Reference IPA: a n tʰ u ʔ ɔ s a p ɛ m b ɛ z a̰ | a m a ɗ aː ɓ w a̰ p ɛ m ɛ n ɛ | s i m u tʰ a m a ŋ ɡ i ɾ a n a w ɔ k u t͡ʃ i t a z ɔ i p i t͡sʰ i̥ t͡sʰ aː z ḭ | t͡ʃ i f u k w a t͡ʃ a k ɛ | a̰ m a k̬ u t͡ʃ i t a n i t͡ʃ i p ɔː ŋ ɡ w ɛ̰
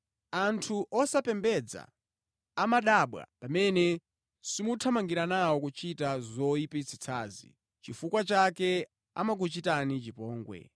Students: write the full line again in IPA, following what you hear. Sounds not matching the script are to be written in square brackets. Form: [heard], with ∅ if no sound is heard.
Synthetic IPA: a n tʰ u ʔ ɔ s a p ɛ m b ɛ [d͡z] a̰ | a m a ɗ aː ɓ w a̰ p [a] m ɛ n ɛ | s i m u tʰ a m a ŋ ɡ i ɾ a n a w ɔ k u t͡ʃ i t a z ɔ i p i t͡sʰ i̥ t͡sʰ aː z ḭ | t͡ʃ i f u k w a t͡ʃ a k ɛ | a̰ m a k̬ u t͡ʃ i t a n i t͡ʃ i p ɔː ŋ ɡ w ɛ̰